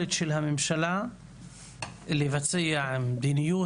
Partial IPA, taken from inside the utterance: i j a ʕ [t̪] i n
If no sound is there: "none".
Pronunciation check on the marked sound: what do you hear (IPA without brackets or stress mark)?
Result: d̪